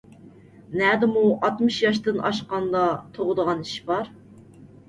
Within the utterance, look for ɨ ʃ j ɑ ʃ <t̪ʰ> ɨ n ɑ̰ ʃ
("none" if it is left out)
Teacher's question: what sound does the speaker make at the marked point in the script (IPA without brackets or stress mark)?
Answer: t̪